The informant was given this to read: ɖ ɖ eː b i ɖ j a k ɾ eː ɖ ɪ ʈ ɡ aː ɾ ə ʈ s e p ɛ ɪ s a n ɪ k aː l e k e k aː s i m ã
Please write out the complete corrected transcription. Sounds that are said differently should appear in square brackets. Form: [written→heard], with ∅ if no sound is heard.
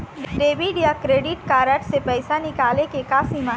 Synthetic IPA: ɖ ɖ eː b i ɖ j a k ɾ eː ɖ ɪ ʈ [ɡ→k] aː ɾ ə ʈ s e p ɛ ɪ s a n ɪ k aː l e k e k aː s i m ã